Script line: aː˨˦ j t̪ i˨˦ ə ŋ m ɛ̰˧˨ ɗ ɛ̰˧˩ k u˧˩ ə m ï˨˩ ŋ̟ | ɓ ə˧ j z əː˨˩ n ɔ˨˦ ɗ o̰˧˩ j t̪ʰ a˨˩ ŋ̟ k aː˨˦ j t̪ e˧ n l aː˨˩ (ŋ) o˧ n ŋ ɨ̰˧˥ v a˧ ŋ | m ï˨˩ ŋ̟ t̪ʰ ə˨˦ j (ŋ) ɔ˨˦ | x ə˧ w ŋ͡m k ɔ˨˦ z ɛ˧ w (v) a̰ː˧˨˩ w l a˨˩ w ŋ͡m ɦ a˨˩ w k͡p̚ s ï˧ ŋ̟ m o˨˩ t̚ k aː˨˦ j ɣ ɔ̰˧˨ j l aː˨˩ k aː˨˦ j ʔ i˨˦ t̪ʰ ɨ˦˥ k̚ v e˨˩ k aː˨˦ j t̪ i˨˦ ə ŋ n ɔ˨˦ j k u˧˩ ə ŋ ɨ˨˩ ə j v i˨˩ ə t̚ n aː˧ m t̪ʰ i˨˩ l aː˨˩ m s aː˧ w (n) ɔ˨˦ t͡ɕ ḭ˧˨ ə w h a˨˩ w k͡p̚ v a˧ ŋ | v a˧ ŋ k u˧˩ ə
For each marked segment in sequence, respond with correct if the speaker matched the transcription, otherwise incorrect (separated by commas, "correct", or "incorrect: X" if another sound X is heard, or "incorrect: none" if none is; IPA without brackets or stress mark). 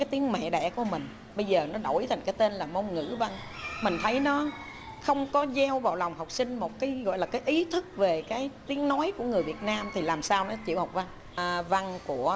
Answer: incorrect: m, incorrect: n, correct, correct